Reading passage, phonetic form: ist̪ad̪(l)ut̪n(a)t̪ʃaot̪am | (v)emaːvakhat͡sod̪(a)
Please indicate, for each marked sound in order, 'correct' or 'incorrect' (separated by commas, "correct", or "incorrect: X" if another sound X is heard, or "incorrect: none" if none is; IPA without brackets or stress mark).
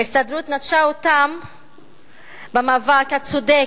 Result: incorrect: ɾ, correct, incorrect: b, incorrect: e